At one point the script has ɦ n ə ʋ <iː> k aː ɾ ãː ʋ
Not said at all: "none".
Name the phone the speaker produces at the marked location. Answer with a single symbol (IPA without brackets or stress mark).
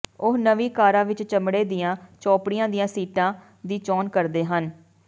iː